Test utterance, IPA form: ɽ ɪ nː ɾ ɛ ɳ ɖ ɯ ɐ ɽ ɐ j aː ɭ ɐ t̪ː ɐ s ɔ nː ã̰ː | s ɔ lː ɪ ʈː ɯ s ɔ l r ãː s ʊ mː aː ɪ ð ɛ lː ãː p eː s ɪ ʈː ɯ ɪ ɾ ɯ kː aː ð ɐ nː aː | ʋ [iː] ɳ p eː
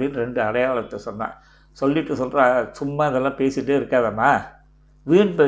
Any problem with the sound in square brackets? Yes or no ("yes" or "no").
no